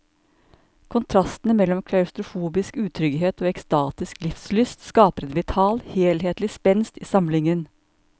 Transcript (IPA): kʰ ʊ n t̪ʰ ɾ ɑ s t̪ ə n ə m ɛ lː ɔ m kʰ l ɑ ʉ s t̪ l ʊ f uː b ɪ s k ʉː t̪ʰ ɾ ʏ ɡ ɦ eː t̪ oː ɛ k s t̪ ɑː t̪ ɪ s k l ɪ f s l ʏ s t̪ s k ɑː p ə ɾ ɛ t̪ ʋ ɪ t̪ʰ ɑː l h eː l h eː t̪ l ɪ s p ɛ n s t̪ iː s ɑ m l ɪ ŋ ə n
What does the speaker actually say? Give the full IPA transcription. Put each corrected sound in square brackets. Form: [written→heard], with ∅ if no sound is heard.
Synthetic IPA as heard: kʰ ʊ n t̪ʰ ɾ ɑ s t̪ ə n ə m ɛ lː ɔ m kʰ l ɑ ʉ s t̪ [l→ɾ] ʊ f uː b ɪ s k ʉː t̪ʰ ɾ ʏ ɡ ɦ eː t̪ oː ɛ k s t̪ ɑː t̪ ɪ s k l ɪ f s l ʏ s t̪ s k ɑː p ə ɾ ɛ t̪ ʋ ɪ t̪ʰ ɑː l h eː l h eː t̪ l ɪ s p ɛ n s t̪ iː s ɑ m l ɪ ŋ ə n